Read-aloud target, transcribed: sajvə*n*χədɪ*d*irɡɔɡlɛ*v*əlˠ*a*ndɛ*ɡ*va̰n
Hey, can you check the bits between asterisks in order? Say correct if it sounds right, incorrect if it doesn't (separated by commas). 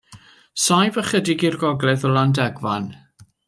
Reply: incorrect, incorrect, incorrect, correct, correct